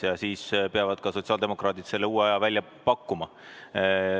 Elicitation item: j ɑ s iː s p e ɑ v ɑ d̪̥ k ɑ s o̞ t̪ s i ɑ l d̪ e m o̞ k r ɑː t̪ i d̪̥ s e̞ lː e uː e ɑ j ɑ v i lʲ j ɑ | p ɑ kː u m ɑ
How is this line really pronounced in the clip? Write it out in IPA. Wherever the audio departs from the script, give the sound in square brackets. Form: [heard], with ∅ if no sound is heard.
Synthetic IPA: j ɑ s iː s p e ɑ v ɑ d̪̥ k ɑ s o̞ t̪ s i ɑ l d̪ e m o̞ k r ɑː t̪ i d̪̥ s e̞ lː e uː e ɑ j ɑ v [æ] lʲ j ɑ | p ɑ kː u m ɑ